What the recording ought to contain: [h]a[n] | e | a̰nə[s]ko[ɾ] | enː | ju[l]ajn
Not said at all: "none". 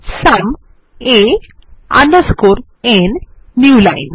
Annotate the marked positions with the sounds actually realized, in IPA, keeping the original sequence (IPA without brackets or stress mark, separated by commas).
s, m, s, ɾ, l